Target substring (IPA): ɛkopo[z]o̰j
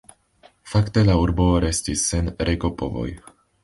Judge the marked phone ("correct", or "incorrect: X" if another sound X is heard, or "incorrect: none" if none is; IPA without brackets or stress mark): incorrect: v